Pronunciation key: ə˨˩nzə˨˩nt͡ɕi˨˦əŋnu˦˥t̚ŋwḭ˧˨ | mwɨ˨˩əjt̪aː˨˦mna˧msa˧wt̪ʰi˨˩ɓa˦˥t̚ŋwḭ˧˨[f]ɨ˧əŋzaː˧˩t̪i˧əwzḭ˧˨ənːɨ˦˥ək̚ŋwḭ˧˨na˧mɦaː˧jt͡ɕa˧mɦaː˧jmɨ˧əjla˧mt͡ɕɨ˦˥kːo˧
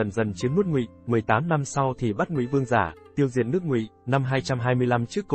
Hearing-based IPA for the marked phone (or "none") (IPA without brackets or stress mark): v